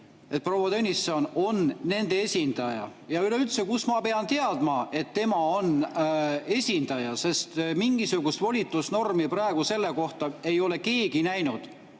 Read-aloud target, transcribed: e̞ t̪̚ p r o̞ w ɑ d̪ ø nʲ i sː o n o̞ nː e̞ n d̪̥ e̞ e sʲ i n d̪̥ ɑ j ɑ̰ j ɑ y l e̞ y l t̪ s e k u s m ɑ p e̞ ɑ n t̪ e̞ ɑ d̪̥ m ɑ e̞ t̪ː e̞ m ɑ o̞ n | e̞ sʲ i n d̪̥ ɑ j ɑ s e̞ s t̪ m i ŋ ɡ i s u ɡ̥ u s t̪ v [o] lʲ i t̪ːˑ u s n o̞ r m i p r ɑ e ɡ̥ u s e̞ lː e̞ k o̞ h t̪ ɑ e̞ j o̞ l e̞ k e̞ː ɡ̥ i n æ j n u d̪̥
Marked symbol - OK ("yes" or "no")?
yes